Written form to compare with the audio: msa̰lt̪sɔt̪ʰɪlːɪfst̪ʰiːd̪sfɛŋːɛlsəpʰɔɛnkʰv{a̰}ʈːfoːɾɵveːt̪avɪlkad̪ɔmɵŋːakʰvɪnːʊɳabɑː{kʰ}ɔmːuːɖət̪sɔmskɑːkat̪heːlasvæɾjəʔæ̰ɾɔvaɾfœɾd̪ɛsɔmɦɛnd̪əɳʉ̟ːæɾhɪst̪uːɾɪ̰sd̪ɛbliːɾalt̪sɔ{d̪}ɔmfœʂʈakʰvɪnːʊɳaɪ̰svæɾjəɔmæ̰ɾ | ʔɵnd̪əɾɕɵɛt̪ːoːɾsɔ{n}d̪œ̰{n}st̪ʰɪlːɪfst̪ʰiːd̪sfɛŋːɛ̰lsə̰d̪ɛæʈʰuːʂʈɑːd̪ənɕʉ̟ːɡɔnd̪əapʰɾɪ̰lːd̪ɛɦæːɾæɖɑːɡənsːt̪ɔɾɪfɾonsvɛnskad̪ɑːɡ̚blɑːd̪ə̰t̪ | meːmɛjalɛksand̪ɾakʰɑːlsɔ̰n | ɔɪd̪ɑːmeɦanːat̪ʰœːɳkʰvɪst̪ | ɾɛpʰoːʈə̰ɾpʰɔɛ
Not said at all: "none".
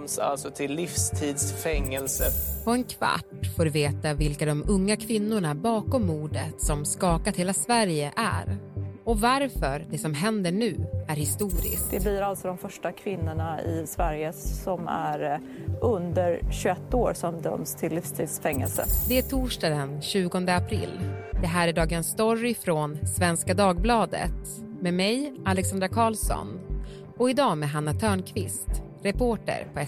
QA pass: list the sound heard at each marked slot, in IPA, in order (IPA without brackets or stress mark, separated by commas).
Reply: a̰, k, d̪, m, m